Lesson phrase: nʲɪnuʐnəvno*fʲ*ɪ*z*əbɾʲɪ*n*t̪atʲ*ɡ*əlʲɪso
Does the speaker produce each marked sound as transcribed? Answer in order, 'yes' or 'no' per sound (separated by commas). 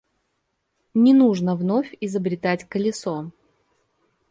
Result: yes, yes, no, no